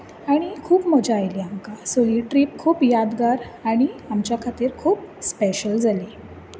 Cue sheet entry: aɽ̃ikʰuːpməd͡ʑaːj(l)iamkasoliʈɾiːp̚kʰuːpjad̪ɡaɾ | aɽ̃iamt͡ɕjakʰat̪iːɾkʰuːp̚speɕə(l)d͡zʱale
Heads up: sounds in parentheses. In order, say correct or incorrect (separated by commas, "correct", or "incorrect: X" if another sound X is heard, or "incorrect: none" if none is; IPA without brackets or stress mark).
correct, correct